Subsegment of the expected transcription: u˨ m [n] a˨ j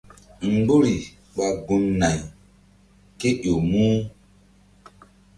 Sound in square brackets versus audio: correct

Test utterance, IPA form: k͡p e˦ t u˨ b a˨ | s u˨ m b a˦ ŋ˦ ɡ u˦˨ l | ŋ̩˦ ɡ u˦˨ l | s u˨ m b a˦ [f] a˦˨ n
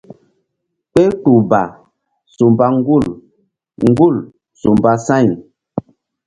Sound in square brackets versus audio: incorrect: s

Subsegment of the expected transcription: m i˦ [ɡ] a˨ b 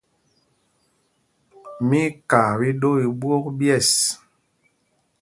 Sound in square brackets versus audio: incorrect: k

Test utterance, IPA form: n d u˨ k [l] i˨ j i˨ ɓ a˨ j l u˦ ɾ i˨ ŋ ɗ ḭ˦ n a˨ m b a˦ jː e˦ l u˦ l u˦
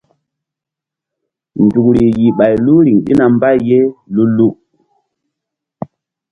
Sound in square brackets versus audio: incorrect: ɾ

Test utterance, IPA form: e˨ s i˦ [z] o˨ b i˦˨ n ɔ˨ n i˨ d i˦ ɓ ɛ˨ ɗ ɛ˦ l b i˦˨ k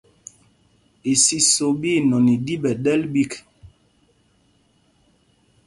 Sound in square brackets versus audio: incorrect: s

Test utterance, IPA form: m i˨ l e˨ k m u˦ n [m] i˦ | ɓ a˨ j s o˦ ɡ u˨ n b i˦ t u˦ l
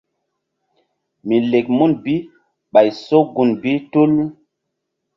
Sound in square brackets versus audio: incorrect: b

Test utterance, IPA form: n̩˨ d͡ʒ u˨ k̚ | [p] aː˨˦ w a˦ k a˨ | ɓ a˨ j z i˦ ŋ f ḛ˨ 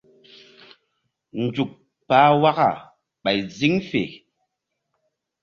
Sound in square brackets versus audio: correct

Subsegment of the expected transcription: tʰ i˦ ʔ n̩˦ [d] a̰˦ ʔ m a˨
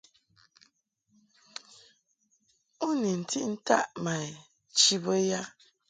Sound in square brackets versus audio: incorrect: t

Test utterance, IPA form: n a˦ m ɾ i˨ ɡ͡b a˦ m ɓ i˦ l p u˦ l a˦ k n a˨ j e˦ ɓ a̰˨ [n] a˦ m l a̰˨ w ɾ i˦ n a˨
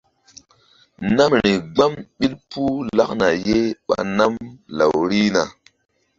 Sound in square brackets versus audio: correct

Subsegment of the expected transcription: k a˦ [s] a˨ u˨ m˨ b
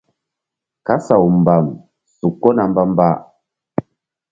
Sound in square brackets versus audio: correct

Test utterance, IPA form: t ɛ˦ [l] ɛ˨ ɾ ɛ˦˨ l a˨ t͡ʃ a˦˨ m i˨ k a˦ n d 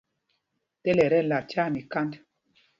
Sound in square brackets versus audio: correct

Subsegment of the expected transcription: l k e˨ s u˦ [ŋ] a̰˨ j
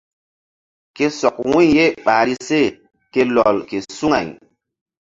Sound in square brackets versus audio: correct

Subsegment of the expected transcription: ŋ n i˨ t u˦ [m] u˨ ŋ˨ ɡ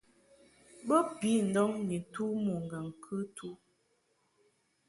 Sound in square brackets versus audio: correct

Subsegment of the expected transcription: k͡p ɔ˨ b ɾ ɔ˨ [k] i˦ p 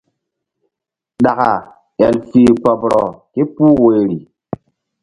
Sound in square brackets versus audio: correct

